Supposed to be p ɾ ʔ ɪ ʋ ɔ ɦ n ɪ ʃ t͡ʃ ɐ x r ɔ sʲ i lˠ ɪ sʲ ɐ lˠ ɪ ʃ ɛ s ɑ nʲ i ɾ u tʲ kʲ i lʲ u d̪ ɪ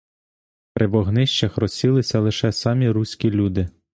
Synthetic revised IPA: p ɾ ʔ ɪ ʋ ɔ ɦ n ɪ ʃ t͡ʃ ɐ x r ɔ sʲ i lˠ ɪ sʲ ɐ lˠ ɪ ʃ ɛ s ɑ mʲ i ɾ u sʲ kʲ i lʲ u d̪ ɪ